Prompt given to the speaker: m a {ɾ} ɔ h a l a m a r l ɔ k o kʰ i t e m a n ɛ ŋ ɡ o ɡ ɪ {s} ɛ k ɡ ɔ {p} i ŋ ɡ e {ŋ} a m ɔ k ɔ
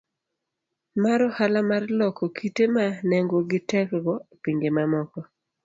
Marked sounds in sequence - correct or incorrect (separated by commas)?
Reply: correct, incorrect, correct, incorrect